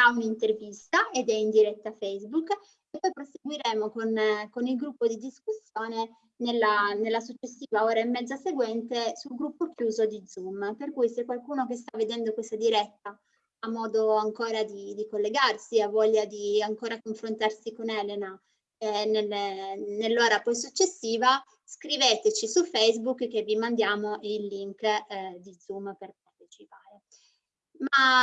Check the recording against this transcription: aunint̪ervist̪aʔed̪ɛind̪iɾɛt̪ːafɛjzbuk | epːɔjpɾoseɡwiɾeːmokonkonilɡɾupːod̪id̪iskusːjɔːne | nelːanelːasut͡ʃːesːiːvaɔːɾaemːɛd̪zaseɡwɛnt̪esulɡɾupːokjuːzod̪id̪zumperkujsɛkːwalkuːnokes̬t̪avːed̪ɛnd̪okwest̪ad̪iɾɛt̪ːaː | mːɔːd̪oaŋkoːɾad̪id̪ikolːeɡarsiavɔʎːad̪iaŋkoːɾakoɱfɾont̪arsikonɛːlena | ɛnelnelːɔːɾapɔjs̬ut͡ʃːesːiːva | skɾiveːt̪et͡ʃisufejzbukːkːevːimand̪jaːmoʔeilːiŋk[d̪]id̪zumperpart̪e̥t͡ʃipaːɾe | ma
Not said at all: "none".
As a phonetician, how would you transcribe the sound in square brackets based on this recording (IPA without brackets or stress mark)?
d̪